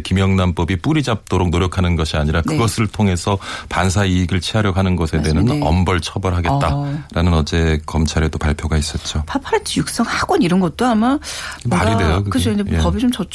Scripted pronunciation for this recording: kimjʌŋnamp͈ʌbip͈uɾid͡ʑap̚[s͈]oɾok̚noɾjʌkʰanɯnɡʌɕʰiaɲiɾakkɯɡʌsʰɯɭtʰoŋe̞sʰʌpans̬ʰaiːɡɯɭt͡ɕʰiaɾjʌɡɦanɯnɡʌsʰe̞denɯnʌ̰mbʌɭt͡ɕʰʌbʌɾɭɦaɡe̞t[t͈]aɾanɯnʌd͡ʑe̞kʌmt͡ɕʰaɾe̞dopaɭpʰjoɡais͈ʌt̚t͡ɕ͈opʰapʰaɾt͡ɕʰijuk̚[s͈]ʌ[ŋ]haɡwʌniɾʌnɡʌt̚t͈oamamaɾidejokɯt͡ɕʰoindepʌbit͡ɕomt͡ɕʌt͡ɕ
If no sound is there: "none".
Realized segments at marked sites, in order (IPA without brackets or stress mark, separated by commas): t͈, t͈, s͈, ŋ